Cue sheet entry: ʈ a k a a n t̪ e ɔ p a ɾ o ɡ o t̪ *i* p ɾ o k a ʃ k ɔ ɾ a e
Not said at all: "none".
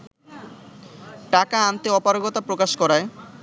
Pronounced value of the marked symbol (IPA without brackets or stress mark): a